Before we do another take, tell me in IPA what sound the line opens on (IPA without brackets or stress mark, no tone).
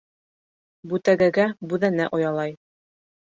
b